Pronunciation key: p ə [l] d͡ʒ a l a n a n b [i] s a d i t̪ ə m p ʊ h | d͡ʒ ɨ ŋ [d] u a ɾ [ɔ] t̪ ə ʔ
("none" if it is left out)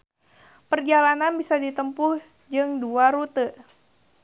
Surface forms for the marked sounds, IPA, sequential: r, i, d, u

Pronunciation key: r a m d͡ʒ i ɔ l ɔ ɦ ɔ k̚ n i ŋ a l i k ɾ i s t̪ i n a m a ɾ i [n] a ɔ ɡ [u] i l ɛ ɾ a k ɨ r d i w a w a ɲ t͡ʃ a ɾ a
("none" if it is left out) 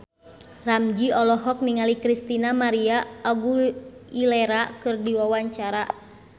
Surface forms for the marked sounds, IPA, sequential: none, u

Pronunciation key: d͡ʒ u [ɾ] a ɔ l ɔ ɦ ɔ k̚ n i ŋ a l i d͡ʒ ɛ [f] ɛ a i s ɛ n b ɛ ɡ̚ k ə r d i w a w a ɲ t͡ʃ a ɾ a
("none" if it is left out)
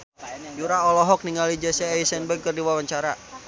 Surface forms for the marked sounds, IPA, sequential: ɾ, s

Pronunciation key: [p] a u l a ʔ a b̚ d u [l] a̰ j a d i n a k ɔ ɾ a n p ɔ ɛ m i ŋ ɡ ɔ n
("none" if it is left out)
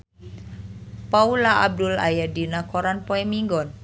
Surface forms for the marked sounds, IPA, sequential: p, l

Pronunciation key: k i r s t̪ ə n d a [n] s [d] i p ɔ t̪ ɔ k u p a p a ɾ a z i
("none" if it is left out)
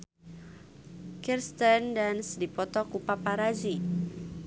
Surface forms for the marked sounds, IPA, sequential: n, d

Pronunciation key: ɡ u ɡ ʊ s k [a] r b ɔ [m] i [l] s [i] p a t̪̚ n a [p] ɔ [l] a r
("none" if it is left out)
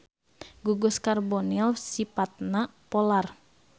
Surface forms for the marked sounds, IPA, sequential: a, n, l, i, p, l

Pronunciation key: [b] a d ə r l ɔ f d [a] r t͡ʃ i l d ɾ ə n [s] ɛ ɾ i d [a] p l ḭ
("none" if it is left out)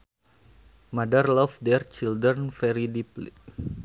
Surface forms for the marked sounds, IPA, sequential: m, ɛ, f, i

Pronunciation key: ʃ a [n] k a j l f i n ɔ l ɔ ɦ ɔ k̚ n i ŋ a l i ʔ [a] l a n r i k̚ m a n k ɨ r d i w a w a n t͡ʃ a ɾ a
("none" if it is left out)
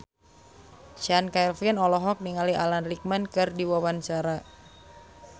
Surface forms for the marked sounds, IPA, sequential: n, a

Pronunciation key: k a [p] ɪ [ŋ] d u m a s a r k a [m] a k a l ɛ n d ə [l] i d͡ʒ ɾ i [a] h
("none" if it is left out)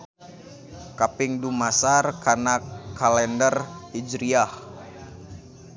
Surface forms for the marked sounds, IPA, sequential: p, ŋ, n, r, a

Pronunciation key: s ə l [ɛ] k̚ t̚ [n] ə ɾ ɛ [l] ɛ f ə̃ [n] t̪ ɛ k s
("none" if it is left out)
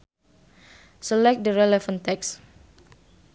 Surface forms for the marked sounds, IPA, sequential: ɛ, d, l, n

